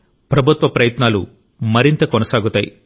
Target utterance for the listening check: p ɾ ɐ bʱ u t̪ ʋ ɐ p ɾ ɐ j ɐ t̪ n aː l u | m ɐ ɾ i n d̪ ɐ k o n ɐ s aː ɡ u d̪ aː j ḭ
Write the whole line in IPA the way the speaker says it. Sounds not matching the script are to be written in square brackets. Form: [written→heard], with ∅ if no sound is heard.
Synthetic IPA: p ɾ ɐ bʱ u t̪ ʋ ɐ p ɾ ɐ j ɐ t̪ n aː l u | m ɐ ɾ i n [d̪→t̪] ɐ k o n ɐ s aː ɡ u [d̪→t̪] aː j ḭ